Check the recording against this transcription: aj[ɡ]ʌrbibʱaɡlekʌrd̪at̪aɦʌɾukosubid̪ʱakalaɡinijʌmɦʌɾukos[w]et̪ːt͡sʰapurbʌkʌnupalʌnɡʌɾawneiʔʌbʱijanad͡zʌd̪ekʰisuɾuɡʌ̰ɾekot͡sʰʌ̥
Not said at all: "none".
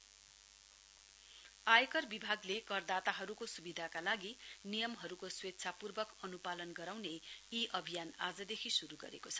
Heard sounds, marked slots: k, w

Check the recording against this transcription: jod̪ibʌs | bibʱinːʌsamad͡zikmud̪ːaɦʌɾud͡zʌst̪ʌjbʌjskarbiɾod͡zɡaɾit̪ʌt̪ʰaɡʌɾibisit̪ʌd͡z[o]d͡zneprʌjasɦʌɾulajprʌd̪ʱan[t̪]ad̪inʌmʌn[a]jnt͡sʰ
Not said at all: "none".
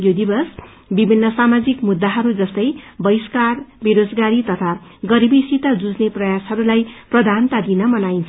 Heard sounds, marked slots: u, t̪, a

